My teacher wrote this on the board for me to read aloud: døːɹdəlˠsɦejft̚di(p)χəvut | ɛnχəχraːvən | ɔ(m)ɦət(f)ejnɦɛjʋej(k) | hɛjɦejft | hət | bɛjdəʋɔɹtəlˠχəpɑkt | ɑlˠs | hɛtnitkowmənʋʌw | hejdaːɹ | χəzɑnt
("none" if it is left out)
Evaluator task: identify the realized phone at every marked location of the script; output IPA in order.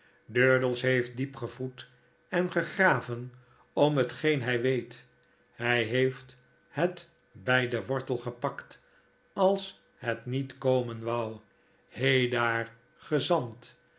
p, m, χ, t

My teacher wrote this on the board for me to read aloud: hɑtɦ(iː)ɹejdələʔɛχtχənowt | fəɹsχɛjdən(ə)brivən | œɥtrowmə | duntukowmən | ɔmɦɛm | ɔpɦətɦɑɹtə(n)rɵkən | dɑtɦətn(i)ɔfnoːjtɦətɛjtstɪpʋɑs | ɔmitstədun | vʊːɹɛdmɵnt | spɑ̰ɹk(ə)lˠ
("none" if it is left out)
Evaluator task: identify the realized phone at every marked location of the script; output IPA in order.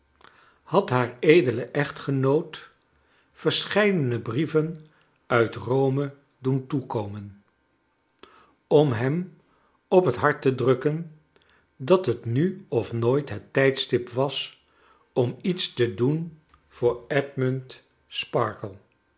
aː, ə, d, y, ə

